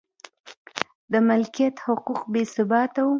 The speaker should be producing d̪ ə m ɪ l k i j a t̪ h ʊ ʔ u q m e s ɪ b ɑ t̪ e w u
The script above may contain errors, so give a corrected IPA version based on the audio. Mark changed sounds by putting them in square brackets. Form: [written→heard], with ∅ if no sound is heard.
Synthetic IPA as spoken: d̪ ə m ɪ l k i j a t̪ h ʊ [ʔ→q] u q [m→b] e s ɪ b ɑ t̪ [e→a] w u